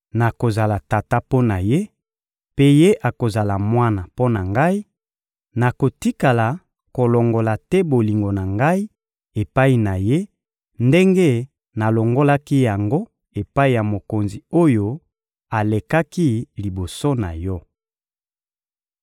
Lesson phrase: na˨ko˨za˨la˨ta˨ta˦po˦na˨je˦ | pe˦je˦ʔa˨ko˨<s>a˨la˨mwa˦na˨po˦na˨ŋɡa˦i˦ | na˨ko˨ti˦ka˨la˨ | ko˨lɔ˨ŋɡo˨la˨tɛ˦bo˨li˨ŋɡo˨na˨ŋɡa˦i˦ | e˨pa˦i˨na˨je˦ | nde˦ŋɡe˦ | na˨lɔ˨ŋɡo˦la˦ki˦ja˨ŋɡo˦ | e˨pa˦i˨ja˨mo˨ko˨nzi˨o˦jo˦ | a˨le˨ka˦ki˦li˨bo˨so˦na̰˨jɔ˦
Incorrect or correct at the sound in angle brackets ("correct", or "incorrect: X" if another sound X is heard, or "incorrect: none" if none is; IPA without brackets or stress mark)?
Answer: incorrect: z